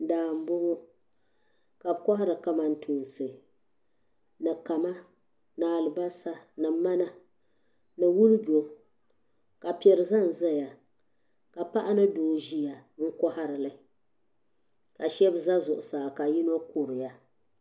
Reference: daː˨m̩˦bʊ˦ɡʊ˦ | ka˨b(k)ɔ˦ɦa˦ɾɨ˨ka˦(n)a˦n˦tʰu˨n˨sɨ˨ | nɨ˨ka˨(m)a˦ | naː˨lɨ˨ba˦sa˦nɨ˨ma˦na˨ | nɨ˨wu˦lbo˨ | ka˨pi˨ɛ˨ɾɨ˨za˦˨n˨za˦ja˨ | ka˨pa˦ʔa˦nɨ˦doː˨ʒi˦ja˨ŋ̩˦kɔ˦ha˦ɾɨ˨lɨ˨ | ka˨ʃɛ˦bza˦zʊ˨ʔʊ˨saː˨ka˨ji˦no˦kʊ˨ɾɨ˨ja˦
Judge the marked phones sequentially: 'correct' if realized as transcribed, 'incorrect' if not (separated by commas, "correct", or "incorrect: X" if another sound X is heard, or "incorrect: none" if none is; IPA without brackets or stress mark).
correct, incorrect: m, correct